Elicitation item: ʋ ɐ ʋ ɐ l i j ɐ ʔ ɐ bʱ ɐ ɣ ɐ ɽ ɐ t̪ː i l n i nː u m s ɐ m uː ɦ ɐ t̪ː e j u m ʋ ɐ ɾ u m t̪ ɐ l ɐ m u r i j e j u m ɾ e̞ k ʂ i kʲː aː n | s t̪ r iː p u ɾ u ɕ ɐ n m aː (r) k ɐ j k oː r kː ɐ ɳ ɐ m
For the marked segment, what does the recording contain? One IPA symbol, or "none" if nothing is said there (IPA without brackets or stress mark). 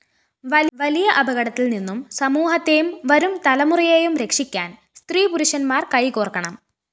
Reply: r